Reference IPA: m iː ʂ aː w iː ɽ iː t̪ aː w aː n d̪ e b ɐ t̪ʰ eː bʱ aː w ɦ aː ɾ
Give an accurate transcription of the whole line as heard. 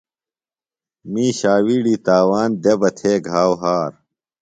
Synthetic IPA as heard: m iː ɕ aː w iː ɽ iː t̪ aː w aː n d̪ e b ɐ t̪ʰ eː ɡʱ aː w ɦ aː ɾ